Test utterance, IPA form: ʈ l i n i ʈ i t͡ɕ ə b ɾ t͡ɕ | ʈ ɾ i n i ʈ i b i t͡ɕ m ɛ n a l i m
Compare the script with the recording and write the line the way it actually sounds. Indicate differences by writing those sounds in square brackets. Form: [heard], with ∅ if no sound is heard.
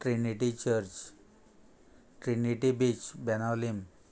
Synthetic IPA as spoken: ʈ [ɾ] i n i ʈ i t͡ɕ ə [∅] ɾ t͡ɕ | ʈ ɾ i n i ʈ i b i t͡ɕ [b] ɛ n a l i m